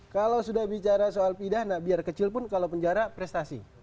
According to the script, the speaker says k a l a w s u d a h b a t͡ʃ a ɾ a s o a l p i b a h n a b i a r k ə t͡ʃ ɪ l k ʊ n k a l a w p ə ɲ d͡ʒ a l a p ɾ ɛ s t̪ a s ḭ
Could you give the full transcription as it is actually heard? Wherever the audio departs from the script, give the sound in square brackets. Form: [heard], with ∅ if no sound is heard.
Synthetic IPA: k a l a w s u d a h b [i] t͡ʃ a ɾ a s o a l p i [d] a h n a b i a r k ə t͡ʃ ɪ l [p] ʊ n k a l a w p ə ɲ d͡ʒ a [ɾ] a p ɾ ɛ s t̪ a s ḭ